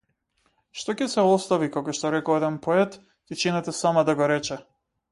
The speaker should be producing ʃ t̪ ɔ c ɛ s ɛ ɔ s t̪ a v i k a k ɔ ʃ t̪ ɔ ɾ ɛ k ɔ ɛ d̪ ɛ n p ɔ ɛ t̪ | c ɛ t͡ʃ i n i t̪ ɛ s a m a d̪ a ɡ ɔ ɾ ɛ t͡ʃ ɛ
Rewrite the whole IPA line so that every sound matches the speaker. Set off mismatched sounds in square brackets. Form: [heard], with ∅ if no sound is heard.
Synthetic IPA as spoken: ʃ t̪ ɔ c ɛ s ɛ ɔ s t̪ a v i k a k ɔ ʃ t̪ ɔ ɾ ɛ k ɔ ɛ d̪ ɛ n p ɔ ɛ t̪ | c ɛ t͡ʃ i n [ɛ] t̪ ɛ s a m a d̪ a ɡ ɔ ɾ ɛ t͡ʃ ɛ